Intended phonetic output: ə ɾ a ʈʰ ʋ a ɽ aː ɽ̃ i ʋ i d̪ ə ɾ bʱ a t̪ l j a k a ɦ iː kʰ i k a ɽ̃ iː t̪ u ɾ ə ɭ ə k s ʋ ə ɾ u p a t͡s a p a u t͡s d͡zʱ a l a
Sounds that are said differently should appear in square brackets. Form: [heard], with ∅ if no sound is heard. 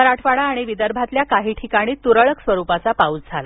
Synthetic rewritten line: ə ɾ a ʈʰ ʋ a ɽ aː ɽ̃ i ʋ i d̪ ə ɾ bʱ a t̪ l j a k a ɦ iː [ʈʰ] i k a ɽ̃ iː t̪ u ɾ ə ɭ ə k s ʋ ə ɾ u p a t͡s a p a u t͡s d͡zʱ a l a